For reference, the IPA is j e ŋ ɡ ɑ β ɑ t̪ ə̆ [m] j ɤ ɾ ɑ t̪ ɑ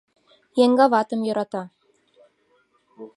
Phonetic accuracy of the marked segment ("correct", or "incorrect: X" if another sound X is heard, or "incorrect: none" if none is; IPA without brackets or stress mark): correct